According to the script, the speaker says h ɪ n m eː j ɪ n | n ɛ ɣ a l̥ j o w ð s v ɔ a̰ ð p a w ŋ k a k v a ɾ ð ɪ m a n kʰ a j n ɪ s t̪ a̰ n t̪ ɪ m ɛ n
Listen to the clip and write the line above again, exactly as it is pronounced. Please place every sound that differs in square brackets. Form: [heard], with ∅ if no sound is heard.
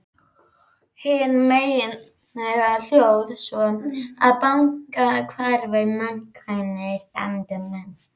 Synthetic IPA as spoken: h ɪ n m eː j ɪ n | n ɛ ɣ a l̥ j o w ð s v ɔ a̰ ð p a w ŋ k a [kʰ] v a ɾ [v] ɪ m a n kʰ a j n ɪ s t̪ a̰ n t̪ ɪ m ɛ n